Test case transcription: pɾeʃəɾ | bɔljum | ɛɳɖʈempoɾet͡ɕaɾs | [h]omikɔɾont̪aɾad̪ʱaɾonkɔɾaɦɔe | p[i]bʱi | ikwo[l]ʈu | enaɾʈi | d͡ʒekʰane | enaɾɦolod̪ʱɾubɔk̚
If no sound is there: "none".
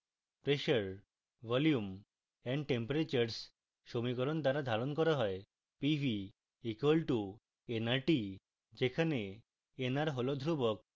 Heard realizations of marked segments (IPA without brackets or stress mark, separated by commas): ʃ, i, l